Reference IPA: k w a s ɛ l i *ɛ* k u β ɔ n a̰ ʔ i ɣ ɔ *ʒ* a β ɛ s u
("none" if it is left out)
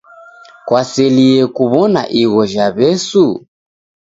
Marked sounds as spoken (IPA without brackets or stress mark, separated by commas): ɛ, ʒ